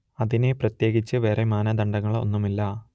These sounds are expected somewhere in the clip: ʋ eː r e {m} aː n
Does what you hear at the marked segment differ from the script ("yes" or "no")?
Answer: no